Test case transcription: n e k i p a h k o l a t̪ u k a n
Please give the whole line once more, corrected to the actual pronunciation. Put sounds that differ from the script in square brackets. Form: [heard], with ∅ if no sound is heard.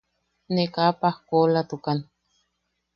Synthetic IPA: n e k [a] p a h k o l a t̪ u k a n

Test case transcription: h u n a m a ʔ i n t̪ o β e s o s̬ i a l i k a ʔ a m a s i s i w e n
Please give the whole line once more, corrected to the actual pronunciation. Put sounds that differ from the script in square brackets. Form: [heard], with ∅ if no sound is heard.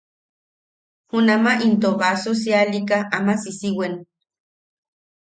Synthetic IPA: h u n a m a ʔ i n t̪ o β [a] s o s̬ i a l i k a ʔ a m a s i s i w e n

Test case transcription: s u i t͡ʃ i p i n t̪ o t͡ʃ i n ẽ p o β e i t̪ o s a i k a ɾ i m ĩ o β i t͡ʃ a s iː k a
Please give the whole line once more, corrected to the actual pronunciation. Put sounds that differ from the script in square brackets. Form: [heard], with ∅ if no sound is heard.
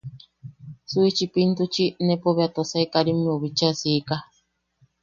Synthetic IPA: s u i t͡ʃ i p i n t̪ [u] t͡ʃ i n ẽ p o β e [a] t̪ o s a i k a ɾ i m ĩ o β i t͡ʃ a s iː k a

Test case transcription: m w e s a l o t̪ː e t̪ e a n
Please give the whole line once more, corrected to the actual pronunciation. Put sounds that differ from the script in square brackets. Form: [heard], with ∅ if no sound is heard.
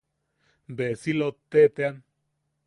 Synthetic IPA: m [b] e s [i] l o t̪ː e t̪ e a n

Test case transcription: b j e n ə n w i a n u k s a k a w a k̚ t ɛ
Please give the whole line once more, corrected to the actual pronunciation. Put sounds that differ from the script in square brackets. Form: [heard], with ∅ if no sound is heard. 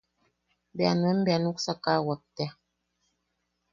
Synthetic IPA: b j [a] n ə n [b] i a n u k s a k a w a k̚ t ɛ

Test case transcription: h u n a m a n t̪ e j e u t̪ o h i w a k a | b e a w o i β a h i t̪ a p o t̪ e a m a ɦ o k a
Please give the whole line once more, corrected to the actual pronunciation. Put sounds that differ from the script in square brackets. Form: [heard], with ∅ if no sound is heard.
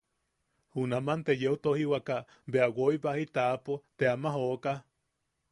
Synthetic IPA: h u n a m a n t̪ e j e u t̪ o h i w a k a | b e a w o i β a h i t̪ a p o t̪ e a m a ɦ o k a

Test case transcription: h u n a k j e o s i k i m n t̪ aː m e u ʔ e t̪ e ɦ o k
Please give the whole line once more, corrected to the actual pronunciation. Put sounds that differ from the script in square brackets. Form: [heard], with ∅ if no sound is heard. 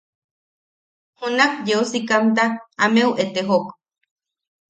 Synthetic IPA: h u n a k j e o s i k [a] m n t̪ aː m e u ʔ e t̪ e ɦ o k

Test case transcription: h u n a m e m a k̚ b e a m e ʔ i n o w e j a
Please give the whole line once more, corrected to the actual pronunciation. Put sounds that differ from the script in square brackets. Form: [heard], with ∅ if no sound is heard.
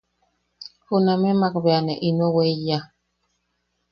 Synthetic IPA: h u n a m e m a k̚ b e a [n] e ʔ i n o w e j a

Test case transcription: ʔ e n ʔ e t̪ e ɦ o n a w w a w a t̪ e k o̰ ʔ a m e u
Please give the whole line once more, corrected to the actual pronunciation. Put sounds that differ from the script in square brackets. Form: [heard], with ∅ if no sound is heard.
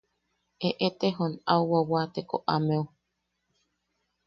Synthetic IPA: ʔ e [∅] ʔ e t̪ e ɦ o n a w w a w a t̪ e k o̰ ʔ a m e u

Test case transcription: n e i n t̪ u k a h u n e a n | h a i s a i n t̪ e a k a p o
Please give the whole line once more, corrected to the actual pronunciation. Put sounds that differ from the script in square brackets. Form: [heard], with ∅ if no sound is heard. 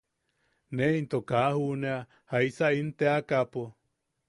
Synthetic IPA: n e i n t̪ [o] k a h u n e a [∅] | h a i s a i n t̪ e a k a p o

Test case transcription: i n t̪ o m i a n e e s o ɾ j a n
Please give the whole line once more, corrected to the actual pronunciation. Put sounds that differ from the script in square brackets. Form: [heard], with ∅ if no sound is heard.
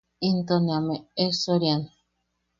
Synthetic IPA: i n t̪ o [n] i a [m] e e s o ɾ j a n

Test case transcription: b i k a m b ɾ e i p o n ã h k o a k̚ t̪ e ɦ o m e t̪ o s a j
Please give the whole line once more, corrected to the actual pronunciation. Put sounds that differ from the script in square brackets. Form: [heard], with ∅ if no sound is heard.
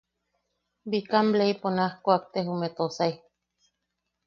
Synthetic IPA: b i k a m b [l] e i p o n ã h k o a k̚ t̪ e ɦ [u] m e t̪ o s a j

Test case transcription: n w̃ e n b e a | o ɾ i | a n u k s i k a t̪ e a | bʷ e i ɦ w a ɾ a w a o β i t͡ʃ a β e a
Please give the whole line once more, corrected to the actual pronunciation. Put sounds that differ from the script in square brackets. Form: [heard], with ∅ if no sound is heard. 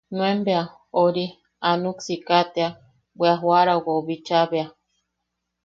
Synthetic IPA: n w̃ e [m] b e a | o ɾ i | a n u k s i k a t̪ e a | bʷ e [a] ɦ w a ɾ a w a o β i t͡ʃ a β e a

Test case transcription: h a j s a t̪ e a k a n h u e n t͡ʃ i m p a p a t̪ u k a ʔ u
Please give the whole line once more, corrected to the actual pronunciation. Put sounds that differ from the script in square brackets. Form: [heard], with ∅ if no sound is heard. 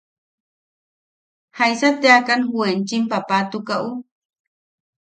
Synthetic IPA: h a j s a t̪ e a k a n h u e n t͡ʃ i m p a p a t̪ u k a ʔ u

